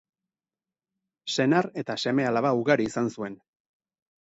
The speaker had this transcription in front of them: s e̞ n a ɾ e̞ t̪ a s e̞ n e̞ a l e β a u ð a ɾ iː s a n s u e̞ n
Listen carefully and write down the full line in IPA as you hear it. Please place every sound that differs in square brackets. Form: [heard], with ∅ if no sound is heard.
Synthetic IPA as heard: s e̞ n a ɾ e̞ t̪ a s e̞ [m] e̞ a l [a] β a u [ɣ] a ɾ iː s a n s u e̞ n